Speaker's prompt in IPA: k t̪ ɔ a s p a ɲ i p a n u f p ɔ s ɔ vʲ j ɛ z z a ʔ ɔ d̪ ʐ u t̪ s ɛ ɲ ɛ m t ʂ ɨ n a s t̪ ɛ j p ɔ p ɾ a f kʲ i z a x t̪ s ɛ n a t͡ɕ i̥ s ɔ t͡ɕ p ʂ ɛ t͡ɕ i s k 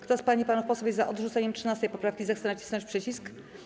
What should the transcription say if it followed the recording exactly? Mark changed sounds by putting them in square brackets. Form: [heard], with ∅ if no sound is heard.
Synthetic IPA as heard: k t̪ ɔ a s p a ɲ i p a n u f p ɔ s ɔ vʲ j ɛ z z a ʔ ɔ d̪ ʐ u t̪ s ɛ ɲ ɛ m t ʂ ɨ n a s t̪ ɛ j p ɔ p ɾ a f kʲ i z a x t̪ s ɛ n a t͡ɕ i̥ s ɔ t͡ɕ p ʂ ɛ t͡ɕ i s k